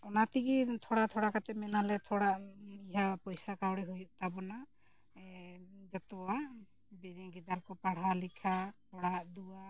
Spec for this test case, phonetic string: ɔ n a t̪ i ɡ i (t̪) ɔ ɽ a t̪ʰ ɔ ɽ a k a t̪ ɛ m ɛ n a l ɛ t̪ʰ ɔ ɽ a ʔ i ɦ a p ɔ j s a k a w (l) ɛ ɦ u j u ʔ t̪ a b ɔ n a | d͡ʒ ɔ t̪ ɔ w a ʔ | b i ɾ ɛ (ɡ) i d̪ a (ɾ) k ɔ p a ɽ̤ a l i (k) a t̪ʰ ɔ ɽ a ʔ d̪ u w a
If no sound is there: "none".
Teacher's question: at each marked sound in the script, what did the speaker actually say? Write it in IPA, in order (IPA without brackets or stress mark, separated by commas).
t̪ʰ, ɽ, ɡ, ɾ, kʰ